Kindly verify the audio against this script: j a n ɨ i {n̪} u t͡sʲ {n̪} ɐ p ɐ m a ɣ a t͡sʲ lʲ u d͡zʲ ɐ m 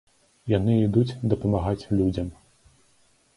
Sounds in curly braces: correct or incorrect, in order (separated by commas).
incorrect, incorrect